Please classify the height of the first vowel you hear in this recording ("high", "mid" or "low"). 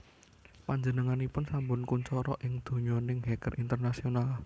low